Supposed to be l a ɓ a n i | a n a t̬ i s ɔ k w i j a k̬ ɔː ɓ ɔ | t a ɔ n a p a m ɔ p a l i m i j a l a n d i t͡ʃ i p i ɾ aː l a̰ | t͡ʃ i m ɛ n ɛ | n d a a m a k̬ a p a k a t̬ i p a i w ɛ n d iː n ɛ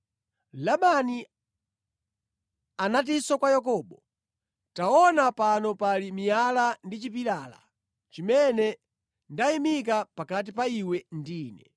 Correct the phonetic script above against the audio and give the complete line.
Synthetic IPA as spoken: l a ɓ a n i | a n a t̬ i s ɔ k w a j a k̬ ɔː ɓ ɔ | t a ɔ n a p a n ɔ p a l i m i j a l a n d i t͡ʃ i p i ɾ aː l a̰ | t͡ʃ i m ɛ n ɛ | n d a i m i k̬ a p a k a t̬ i p a i w ɛ n d iː n ɛ